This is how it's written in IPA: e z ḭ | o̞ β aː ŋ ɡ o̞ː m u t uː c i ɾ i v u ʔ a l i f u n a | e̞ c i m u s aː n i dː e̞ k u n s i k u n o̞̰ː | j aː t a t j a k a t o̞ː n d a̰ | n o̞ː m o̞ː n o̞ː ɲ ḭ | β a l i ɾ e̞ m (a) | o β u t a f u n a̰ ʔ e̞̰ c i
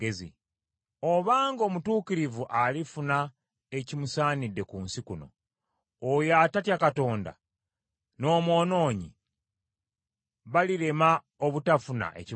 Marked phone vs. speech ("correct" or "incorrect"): correct